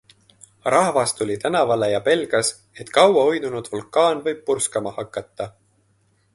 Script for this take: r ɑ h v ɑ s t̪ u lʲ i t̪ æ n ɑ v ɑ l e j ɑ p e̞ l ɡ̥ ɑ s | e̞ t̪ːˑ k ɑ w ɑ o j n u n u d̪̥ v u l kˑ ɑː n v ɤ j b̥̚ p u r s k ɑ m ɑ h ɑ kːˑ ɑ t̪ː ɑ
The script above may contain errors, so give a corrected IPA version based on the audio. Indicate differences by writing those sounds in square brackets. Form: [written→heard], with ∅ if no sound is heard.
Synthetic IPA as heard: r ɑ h v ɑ s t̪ u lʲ i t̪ æ n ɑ v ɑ l e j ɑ p e̞ l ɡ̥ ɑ s | e̞ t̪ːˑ k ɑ w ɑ o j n u n u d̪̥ v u l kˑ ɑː n v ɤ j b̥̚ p u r s k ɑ m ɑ h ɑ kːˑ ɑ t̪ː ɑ